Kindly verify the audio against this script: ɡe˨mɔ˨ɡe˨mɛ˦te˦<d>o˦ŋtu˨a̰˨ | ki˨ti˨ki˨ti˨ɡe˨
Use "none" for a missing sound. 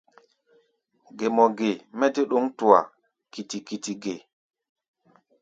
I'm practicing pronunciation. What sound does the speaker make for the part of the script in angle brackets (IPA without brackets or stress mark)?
ɗ